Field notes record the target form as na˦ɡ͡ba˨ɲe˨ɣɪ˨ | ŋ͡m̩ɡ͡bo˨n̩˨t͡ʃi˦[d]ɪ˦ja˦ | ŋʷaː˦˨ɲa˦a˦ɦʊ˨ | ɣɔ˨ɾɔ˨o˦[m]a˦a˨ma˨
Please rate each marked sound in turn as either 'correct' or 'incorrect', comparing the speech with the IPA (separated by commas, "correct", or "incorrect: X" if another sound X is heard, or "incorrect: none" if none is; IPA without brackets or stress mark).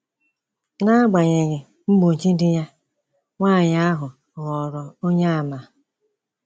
correct, incorrect: ɲ